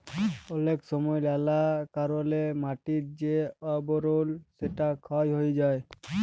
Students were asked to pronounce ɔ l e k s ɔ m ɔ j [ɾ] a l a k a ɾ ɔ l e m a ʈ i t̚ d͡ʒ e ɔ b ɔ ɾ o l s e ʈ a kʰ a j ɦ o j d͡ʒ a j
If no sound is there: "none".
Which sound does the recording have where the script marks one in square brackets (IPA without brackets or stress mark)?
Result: l